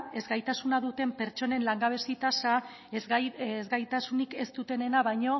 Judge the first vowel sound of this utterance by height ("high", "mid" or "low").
mid